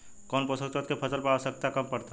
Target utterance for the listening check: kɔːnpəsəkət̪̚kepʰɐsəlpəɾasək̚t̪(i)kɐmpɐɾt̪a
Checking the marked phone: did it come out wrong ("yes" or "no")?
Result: yes